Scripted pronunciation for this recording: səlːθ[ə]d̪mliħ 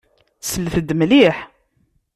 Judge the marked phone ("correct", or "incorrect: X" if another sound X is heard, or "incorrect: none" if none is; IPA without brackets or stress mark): correct